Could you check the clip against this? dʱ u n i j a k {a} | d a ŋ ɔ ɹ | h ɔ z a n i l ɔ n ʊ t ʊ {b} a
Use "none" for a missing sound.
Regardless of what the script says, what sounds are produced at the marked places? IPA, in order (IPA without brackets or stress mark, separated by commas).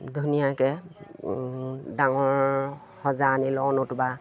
ɛ, b